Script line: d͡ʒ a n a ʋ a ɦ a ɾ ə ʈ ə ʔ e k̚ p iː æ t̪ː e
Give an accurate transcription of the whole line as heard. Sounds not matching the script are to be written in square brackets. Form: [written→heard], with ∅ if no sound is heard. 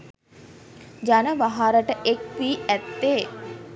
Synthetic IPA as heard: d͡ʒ a n [a→ə] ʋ a ɦ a ɾ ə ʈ ə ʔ e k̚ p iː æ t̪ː e